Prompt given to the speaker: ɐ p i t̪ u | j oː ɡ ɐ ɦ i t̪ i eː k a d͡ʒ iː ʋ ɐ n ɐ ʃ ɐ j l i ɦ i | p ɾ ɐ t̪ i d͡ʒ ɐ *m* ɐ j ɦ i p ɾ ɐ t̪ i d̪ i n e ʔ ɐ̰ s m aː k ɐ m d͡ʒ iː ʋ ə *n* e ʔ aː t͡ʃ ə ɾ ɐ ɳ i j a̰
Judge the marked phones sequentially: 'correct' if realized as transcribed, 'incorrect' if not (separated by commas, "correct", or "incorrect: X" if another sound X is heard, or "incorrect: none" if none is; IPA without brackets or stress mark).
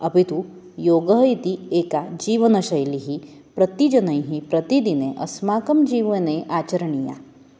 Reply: incorrect: n, correct